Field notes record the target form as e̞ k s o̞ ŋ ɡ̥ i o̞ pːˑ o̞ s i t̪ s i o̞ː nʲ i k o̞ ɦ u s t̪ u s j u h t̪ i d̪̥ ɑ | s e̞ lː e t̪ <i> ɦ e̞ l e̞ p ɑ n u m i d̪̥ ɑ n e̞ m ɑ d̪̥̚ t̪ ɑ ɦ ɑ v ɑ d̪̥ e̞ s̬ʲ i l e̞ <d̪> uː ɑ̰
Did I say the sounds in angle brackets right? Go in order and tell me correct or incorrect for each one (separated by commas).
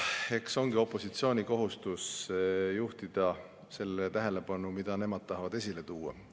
incorrect, incorrect